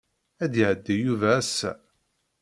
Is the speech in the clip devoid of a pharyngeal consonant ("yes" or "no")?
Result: no